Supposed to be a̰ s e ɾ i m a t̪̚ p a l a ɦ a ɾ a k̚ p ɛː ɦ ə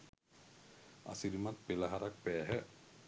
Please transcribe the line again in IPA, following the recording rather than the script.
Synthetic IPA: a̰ s i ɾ i m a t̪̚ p e l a ɦ a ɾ a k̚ p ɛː ɦ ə

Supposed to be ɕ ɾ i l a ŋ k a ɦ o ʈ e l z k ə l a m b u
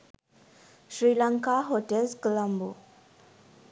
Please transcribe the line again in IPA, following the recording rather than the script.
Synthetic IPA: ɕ ɾ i l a ŋ k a ɦ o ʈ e l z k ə l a m b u

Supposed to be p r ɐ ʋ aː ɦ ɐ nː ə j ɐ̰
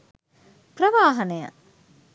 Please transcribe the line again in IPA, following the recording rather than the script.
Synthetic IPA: p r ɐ ʋ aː ɦ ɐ n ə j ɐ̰

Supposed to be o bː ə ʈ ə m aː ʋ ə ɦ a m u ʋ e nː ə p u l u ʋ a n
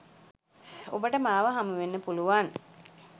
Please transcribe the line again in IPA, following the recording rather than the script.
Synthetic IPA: o b ə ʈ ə m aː ʋ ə ɦ a m u ʋ e nː ə p u l u ʋ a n

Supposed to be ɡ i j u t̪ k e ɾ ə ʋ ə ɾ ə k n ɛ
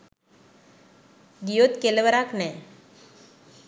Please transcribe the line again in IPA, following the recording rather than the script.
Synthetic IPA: ɡ i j o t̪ k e l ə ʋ ə ɾ a k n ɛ

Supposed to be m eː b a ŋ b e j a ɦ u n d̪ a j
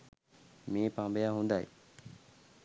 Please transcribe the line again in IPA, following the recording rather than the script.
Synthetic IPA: m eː p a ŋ b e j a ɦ u n d̪ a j

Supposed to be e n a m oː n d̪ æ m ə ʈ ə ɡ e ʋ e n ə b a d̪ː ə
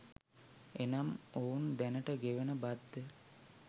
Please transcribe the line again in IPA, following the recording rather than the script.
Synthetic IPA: e n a m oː n d̪ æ n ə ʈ ə ɡ e ʋ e n ə b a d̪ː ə

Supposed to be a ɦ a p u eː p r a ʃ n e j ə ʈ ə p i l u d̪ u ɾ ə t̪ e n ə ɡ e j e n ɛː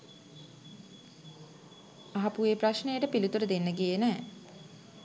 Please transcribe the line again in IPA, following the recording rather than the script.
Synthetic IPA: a ɦ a p u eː p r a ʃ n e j ə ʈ ə p i l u t̪ u ɾ ə d̪ e nː ə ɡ i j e n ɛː

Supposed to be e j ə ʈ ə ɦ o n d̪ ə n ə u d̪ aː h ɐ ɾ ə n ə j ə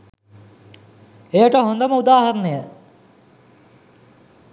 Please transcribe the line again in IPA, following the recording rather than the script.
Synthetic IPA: e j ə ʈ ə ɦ o n d̪ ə m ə u d̪ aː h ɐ ɾ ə n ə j ə

